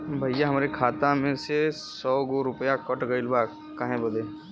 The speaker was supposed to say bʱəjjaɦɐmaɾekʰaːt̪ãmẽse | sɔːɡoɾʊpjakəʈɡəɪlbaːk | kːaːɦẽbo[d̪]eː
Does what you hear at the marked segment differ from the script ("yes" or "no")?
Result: no